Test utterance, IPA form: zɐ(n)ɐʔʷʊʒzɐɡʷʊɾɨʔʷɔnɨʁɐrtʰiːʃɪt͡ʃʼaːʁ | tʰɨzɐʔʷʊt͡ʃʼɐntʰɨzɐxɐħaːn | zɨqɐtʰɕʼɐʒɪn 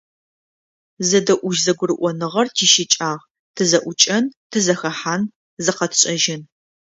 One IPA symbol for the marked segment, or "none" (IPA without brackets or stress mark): d